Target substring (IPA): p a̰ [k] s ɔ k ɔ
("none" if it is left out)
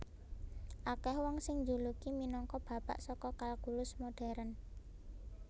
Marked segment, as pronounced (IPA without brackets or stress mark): ʔ